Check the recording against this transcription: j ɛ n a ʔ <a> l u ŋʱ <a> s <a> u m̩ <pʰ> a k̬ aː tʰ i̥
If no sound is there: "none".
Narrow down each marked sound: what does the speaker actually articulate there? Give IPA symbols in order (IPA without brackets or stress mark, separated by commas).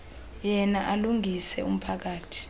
a, i, ɛ, pʰ